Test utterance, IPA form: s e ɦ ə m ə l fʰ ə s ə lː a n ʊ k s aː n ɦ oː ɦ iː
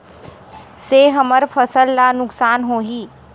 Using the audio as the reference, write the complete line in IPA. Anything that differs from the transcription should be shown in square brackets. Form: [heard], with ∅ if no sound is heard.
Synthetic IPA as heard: s e ɦ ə m ə [ɾ] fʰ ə s ə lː a n ʊ k s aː n ɦ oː ɦ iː